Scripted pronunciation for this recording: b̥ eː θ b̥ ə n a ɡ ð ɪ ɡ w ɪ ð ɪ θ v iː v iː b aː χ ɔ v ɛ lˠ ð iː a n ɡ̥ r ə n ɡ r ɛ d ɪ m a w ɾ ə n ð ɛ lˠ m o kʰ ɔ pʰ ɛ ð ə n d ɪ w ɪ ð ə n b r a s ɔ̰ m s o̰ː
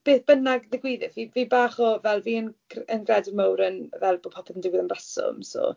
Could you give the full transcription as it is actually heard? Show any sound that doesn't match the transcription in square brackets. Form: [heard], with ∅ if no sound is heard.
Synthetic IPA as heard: b̥ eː θ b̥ ə n a ɡ ð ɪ ɡ w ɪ ð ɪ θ v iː v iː b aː χ ɔ v ɛ lˠ [v] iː [ə] n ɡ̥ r ə n ɡ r ɛ d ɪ m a w ɾ ə n [v] ɛ lˠ [b] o [pʰ] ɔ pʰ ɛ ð ə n d ɪ w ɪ ð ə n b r a s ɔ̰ m s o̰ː